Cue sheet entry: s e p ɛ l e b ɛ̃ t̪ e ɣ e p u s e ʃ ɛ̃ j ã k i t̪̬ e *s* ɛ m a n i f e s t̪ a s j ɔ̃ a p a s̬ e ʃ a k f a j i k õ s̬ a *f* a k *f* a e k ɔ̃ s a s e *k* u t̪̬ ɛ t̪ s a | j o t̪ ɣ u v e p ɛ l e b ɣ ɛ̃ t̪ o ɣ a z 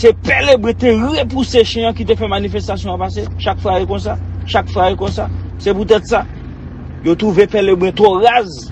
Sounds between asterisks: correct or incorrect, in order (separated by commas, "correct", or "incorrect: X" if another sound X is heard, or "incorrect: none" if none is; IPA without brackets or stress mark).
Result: incorrect: f, incorrect: ʃ, correct, incorrect: p